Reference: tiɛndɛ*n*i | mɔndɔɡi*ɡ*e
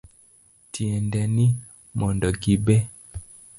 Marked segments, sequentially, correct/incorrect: correct, incorrect: b

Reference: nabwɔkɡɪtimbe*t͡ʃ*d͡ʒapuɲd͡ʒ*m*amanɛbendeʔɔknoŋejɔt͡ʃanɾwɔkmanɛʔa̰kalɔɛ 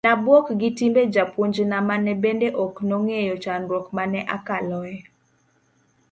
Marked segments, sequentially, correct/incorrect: incorrect: none, incorrect: n

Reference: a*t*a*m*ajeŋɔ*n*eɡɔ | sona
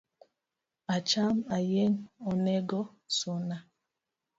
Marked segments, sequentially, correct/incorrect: incorrect: t͡ʃ, correct, correct

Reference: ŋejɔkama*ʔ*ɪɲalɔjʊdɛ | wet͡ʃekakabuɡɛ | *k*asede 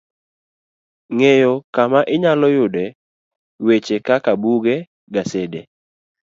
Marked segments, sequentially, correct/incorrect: correct, incorrect: ɡ

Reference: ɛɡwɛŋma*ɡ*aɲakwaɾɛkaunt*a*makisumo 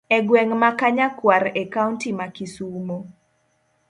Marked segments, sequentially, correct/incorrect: incorrect: k, incorrect: i

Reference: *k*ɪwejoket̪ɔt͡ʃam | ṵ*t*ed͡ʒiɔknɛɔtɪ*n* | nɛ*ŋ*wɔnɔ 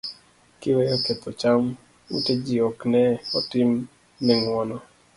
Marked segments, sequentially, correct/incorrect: correct, correct, incorrect: m, correct

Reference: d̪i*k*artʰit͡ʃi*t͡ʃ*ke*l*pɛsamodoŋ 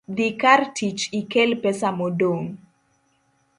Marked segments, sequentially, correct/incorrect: correct, incorrect: none, correct

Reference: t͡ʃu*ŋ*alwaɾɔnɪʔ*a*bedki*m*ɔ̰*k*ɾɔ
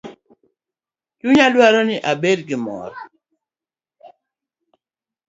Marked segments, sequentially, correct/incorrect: incorrect: ɲ, correct, correct, incorrect: none

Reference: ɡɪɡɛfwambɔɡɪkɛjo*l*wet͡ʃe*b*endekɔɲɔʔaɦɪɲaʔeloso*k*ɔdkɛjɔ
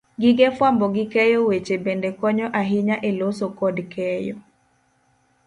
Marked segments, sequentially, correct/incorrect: incorrect: none, correct, correct

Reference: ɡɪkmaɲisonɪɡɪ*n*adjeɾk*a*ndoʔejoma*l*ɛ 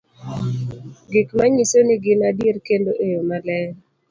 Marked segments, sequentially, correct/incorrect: correct, incorrect: e, correct

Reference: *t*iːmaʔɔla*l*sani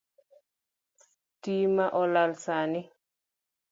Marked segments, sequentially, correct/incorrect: correct, correct

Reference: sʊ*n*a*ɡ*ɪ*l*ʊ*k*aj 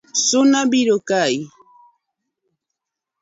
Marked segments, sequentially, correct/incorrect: correct, incorrect: b, incorrect: ɾ, correct

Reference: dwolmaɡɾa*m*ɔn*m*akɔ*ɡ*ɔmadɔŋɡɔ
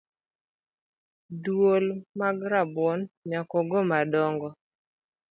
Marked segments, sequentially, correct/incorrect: incorrect: b, incorrect: ɲ, correct

